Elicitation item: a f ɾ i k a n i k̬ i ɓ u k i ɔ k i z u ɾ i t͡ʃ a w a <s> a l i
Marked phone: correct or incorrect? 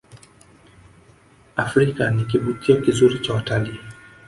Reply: incorrect